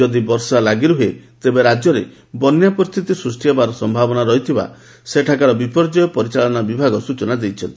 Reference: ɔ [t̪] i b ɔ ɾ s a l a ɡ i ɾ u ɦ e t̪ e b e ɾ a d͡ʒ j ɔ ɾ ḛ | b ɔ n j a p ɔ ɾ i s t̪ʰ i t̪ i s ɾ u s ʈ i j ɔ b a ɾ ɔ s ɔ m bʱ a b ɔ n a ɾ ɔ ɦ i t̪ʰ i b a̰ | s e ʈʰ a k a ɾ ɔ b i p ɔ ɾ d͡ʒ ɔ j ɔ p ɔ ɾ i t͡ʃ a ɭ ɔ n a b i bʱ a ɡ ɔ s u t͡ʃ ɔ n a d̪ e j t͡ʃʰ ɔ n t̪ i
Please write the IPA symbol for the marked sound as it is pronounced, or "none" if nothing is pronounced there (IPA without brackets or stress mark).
d̪